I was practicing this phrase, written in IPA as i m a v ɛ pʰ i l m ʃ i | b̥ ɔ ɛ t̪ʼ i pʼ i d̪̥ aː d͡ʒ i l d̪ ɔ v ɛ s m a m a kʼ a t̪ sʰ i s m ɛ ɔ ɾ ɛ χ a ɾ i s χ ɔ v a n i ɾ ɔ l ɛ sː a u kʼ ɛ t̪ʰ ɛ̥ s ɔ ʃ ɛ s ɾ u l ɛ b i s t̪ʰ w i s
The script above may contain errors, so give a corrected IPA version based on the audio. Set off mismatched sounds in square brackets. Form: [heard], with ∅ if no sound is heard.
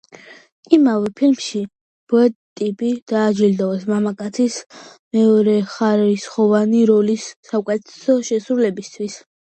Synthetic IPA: i m a v ɛ pʰ i l m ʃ i | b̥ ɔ ɛ t̪ʼ i pʼ i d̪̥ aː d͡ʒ i l d̪ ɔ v ɛ s m a m a kʼ a t̪ sʰ i s m ɛ ɔ ɾ ɛ χ a ɾ i s χ ɔ v a n i ɾ ɔ l [i] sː a u kʼ ɛ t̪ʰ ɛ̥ s ɔ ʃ ɛ s ɾ u l ɛ b i s t̪ʰ w i s